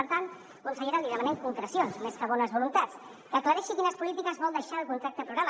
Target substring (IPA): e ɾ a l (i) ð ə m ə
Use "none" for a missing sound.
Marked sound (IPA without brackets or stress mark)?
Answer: i